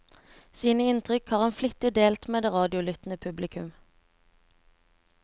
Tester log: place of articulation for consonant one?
alveolar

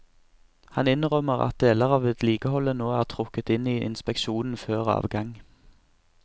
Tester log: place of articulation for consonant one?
glottal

